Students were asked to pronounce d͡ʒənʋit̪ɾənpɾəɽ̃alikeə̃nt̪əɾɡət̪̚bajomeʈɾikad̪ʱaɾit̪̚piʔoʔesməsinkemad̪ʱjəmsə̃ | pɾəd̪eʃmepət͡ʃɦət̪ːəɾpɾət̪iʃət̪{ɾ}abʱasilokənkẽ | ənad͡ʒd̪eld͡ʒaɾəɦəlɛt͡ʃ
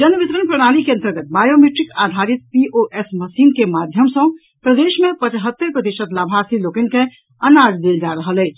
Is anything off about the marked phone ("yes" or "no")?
yes